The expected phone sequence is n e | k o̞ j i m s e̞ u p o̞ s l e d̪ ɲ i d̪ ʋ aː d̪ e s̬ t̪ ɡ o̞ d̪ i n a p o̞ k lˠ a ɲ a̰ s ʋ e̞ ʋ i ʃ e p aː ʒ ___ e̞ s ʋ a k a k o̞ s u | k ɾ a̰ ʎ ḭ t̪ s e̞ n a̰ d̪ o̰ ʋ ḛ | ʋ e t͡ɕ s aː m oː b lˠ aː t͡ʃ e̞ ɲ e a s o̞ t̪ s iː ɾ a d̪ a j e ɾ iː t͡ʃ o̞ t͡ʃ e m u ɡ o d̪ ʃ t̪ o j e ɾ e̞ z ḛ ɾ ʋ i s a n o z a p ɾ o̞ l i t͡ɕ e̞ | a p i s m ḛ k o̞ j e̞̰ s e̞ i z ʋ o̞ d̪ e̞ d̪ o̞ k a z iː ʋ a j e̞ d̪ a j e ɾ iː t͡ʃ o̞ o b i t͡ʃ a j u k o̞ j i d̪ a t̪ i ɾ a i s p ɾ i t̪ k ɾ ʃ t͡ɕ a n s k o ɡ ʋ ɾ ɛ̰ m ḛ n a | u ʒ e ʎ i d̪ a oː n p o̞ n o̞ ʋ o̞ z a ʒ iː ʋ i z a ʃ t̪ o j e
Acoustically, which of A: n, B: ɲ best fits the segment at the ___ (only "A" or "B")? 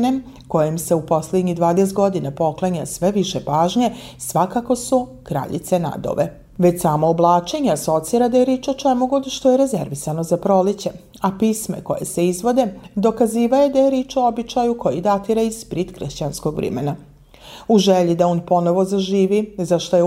B